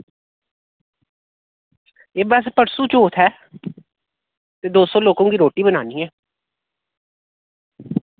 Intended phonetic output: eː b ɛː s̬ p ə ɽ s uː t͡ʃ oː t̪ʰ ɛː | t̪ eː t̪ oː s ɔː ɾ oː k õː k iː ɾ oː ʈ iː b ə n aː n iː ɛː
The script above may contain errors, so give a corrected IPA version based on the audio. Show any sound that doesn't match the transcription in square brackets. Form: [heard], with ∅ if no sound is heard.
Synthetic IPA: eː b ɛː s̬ p ə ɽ s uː t͡ʃ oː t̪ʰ ɛː | t̪ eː [d̪] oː s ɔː [l] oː k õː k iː ɾ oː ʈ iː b ə n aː n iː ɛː